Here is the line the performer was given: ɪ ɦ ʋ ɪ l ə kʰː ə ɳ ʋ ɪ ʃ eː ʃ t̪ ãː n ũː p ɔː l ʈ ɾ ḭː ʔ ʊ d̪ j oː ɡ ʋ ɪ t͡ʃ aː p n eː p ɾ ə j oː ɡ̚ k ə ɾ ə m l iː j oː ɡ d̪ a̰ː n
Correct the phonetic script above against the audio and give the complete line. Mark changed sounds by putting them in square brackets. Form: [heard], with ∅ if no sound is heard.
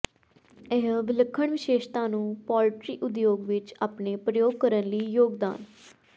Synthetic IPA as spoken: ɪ ɦ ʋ ɪ l ə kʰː ə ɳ ʋ ɪ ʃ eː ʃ t̪ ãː n ũː p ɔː l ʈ ɾ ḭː ʔ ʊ d̪ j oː ɡ ʋ ɪ t͡ʃ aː p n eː p ɾ ə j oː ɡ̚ k ə ɾ ə [n] l iː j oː ɡ d̪ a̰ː n